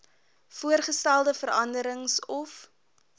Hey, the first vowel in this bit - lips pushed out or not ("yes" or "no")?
yes